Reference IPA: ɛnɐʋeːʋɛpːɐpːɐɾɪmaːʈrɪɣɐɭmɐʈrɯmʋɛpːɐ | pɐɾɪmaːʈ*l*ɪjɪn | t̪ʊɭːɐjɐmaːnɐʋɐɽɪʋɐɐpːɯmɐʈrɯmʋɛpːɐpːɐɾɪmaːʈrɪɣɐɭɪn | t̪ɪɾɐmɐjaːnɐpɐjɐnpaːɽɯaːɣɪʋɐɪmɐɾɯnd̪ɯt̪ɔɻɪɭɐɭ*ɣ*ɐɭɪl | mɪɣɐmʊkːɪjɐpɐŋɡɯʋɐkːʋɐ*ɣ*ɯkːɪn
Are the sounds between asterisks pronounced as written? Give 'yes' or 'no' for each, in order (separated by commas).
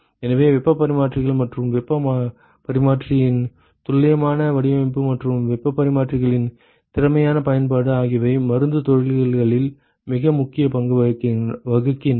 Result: no, yes, yes